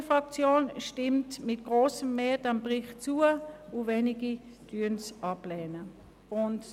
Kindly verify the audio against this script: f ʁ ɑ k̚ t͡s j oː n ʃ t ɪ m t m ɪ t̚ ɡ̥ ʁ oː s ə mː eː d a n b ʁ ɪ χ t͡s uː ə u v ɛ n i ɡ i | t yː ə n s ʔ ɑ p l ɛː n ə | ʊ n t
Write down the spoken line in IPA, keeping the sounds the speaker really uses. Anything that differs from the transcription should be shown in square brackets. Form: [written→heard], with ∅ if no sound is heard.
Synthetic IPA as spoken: f ʁ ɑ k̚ t͡s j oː n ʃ t ɪ m t m ɪ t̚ ɡ̥ ʁ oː s ə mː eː d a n b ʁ ɪ χ t͡s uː ə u v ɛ n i ɡ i | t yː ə n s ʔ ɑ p l ɛː n ə | ʊ n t